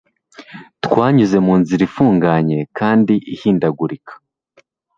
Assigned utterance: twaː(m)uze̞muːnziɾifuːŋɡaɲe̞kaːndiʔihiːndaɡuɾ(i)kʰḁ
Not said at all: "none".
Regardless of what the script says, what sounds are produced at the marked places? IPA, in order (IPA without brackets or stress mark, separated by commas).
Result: ɲ, i